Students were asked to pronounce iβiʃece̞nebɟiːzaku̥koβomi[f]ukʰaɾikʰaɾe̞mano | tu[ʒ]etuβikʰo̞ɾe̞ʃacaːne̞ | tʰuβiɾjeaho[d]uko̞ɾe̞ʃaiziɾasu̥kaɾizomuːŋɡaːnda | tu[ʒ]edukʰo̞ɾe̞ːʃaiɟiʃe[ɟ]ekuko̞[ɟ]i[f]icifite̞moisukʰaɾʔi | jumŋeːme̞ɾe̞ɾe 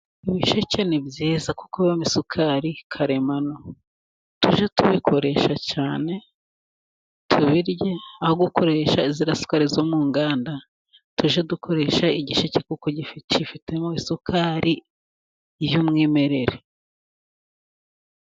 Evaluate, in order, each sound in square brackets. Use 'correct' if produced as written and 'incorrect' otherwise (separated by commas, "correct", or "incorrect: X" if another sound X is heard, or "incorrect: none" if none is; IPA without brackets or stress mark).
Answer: incorrect: s, correct, incorrect: ɡ, correct, incorrect: c, correct, correct